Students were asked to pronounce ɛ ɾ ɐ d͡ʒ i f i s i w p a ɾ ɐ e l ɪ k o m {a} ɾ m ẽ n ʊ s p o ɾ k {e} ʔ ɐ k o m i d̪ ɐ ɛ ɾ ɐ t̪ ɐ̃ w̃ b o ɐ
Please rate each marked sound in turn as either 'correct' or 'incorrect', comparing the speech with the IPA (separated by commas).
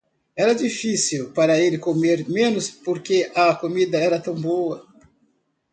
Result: incorrect, correct